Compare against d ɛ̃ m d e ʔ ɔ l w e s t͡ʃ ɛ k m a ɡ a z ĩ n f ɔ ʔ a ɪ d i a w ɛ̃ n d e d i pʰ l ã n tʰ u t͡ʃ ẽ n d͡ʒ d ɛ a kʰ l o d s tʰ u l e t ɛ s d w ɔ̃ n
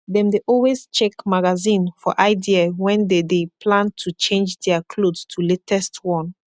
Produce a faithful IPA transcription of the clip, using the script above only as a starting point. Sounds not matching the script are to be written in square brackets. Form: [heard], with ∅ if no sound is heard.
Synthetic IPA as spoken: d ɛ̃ m d e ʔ ɔ l w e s t͡ʃ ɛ k m a ɡ a z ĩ n f ɔ ʔ a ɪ d i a w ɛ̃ n d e d [e] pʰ l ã n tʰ u t͡ʃ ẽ n d͡ʒ d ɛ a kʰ l o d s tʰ u l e t ɛ s [t] w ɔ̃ n